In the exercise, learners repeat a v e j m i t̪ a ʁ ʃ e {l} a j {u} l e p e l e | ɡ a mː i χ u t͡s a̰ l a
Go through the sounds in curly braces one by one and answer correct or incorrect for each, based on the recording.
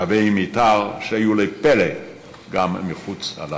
incorrect: none, correct

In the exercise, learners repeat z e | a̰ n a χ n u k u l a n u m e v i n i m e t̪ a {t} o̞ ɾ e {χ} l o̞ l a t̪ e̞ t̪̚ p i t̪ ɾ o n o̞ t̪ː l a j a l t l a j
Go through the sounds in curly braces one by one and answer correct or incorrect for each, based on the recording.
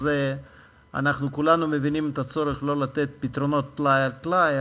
incorrect: t͡s, correct

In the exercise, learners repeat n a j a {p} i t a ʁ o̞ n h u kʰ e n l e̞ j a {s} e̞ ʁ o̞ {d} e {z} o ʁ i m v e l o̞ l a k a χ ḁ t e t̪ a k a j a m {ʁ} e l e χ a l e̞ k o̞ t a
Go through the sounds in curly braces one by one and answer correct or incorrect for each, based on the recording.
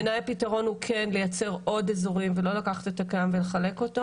correct, incorrect: t͡s, correct, correct, incorrect: v

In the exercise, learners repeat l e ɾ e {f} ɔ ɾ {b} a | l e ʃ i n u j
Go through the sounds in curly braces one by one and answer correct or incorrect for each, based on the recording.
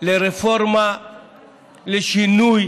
correct, incorrect: m

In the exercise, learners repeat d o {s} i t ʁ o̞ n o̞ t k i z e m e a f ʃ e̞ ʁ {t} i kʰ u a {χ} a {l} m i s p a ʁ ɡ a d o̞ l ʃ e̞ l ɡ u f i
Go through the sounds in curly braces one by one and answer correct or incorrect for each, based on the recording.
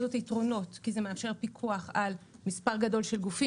incorrect: t, incorrect: p, correct, correct

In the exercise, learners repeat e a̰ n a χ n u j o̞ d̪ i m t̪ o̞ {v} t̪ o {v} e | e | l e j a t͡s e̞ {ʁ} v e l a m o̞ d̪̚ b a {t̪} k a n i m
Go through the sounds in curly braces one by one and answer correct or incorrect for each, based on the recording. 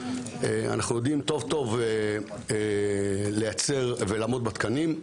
correct, correct, correct, correct

